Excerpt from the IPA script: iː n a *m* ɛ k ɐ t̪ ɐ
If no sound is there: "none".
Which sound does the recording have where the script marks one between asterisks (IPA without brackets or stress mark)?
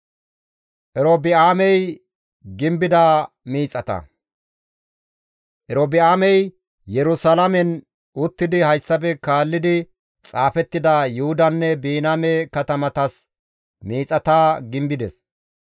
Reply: m